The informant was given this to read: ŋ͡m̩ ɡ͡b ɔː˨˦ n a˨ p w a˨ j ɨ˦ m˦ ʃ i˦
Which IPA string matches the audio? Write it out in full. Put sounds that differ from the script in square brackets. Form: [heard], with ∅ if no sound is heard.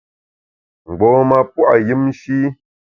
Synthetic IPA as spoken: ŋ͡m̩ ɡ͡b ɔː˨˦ [m] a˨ p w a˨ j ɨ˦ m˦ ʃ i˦